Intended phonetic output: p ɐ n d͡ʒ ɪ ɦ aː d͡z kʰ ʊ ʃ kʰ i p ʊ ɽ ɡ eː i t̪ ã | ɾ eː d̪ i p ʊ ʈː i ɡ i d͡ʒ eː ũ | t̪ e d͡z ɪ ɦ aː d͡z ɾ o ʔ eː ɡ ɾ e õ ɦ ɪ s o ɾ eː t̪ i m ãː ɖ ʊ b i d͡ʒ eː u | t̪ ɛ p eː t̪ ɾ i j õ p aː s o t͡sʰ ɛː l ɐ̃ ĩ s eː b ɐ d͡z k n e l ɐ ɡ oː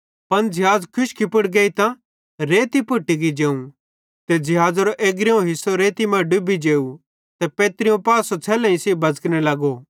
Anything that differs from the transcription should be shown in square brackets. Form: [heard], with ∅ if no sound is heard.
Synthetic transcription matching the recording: p ɐ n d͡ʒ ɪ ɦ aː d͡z kʰ ʊ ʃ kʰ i p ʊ ɽ ɡ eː i t̪ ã | ɾ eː [t̪] i p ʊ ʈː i ɡ i d͡ʒ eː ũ | t̪ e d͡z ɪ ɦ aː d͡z ɾ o ʔ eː ɡ ɾ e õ ɦ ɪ s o ɾ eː t̪ i m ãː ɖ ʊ b i d͡ʒ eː u | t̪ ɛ p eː t̪ ɾ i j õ p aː s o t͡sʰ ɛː l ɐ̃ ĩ s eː b ɐ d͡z k n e l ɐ ɡ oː